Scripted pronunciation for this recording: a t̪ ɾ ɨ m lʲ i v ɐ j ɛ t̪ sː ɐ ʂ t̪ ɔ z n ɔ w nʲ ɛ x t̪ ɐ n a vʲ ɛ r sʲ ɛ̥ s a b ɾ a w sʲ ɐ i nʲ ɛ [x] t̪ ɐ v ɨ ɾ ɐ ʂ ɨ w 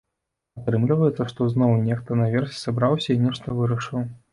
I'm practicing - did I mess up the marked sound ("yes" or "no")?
yes